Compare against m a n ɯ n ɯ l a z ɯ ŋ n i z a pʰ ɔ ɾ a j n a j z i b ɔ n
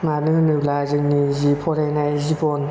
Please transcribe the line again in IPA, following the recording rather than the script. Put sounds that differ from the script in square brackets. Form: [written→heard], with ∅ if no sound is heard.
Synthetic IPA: m a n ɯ n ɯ l a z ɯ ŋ n i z [a→i] pʰ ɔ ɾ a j n a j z i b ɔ n